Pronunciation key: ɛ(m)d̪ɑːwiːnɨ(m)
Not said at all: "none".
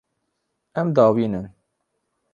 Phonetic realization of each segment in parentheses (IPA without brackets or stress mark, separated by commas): m, n